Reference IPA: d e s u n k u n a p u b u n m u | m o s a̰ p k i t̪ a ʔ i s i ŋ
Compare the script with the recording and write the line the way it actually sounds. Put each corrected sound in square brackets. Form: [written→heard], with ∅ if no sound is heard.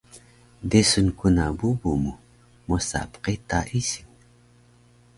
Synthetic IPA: d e s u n k u n a [p→b] u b u [n→∅] m u | m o s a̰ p [k→q] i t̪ a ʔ i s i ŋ